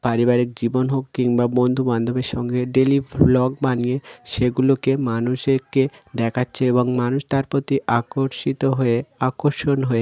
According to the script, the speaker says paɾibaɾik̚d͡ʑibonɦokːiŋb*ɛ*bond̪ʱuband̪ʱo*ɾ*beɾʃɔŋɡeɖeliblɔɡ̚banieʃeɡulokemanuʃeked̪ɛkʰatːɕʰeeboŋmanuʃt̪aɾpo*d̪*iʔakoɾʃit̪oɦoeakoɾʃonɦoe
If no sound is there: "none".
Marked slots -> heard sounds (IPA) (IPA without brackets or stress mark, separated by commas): a, none, t̪